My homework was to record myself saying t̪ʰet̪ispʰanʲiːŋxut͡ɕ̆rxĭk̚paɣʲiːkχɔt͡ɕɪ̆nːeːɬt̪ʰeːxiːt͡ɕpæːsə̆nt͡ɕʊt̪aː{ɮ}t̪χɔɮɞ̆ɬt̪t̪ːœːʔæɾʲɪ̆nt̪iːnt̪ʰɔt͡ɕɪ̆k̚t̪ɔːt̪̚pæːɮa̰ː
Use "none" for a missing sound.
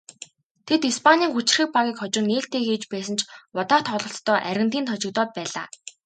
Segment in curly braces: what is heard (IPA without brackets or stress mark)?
none